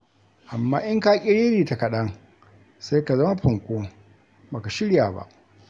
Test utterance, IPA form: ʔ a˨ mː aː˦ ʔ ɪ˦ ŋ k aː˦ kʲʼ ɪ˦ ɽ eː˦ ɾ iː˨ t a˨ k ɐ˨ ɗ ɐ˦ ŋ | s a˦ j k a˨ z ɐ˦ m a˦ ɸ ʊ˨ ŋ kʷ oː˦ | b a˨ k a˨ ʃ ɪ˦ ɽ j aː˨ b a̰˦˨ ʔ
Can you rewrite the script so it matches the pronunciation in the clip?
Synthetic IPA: ʔ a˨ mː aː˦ ʔ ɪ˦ ŋ k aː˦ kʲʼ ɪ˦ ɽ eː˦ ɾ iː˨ t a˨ k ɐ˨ ɗ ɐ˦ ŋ | s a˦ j k a˨ z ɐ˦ m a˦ ɸ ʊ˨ ŋ kʷ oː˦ | b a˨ k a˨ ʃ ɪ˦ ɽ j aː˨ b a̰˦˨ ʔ